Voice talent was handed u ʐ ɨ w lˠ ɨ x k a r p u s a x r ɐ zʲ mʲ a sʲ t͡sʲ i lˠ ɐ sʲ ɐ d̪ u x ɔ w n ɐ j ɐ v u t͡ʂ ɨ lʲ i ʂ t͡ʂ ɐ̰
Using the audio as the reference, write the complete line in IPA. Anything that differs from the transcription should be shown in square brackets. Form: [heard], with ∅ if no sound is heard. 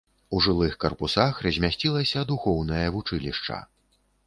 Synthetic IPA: u ʐ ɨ [∅] lˠ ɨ x k [ɐ] r p u s a x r ɐ zʲ mʲ a sʲ t͡sʲ i lˠ ɐ sʲ ɐ d̪ u x ɔ w n ɐ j ɐ v u t͡ʂ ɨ lʲ i ʂ t͡ʂ ɐ̰